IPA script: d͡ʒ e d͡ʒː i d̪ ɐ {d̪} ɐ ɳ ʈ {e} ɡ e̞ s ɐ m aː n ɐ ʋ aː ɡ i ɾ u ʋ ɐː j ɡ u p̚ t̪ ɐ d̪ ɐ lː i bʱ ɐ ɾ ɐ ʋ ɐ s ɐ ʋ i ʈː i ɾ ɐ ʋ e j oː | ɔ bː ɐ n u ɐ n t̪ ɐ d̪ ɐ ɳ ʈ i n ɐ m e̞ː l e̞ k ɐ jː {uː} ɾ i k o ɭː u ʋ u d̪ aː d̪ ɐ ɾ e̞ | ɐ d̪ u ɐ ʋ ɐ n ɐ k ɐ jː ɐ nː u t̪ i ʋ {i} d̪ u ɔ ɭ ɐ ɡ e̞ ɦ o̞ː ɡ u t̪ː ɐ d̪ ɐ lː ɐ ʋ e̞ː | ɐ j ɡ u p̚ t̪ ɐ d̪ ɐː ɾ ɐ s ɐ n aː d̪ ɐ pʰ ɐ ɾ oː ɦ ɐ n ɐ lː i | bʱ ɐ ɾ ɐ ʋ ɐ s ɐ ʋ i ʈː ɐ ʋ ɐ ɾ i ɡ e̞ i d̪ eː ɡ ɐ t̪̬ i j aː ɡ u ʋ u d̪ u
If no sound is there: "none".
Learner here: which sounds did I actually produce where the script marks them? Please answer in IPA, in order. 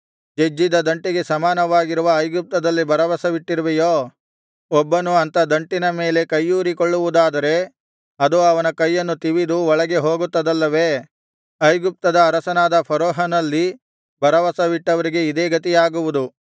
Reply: d̪, i, uː, i

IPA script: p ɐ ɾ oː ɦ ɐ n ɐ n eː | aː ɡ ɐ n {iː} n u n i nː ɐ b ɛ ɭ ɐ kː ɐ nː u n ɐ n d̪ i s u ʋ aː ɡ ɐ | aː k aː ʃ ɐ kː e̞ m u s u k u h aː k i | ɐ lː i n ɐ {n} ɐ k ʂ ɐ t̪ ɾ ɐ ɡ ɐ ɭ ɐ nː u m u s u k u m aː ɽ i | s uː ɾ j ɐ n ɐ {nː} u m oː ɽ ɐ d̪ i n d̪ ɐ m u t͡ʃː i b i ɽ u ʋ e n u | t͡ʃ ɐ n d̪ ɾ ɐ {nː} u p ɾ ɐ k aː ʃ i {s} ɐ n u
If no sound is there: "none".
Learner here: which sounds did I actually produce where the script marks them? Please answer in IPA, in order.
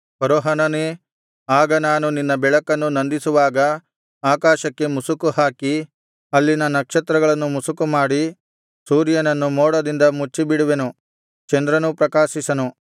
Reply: aː, n, nː, n, s

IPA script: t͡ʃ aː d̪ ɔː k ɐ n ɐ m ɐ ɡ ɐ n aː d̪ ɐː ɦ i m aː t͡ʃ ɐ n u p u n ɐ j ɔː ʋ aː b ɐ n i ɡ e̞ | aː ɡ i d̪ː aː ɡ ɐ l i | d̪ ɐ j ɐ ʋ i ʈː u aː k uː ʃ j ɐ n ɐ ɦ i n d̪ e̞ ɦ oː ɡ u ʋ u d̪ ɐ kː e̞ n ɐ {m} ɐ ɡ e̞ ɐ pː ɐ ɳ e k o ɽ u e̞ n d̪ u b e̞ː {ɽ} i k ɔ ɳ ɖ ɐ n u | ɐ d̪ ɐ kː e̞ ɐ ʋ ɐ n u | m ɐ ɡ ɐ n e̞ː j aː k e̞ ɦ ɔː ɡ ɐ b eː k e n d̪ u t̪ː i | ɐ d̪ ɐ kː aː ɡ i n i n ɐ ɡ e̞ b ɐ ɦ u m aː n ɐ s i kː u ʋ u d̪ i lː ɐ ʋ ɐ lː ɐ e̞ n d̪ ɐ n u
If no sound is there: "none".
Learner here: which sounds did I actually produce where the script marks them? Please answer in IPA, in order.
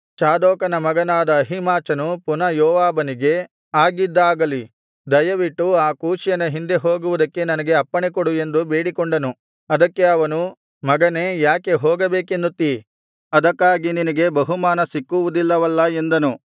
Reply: n, ɽ

